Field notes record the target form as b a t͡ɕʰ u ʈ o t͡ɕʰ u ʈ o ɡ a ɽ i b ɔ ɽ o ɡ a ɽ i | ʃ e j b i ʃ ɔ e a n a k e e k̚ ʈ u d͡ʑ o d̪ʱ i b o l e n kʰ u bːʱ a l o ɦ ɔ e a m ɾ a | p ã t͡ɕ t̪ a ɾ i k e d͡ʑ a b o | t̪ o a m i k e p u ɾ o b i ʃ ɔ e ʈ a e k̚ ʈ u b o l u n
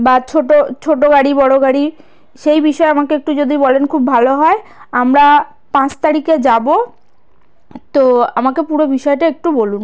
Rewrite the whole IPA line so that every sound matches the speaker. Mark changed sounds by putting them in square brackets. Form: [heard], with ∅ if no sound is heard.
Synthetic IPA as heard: b a t͡ɕʰ [o] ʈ o t͡ɕʰ [o] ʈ o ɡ a ɽ i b ɔ ɽ o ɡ a ɽ i | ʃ e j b i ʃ ɔ e a [m] a k e e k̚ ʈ u d͡ʑ o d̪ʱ i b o l e n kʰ u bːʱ a l o ɦ ɔ e a m ɾ a | p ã t͡ɕ t̪ a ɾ i k e d͡ʑ a b o | t̪ o a m [a] k e p u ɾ o b i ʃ ɔ e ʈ a e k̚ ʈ u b o l u n